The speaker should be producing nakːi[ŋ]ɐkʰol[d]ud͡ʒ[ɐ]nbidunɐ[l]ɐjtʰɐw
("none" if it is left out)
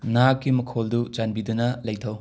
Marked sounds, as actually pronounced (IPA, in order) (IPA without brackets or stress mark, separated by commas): m, d, a, l